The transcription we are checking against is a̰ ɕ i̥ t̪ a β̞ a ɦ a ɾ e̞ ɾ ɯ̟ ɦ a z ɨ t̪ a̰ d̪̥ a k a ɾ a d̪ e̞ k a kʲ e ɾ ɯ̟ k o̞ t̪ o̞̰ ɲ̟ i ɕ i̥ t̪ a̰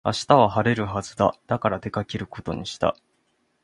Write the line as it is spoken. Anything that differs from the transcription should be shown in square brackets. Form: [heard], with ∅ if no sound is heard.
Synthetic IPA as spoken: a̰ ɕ i̥ t̪ a β̞ a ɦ a ɾ e̞ ɾ ɯ̟ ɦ a z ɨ [d̪] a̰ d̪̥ a k a ɾ a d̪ e̞ k a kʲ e ɾ ɯ̟ k o̞ t̪ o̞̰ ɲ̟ i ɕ i̥ t̪ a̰